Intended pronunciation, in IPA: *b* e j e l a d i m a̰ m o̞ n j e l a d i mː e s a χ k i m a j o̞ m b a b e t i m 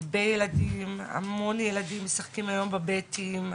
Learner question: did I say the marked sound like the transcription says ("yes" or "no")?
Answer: yes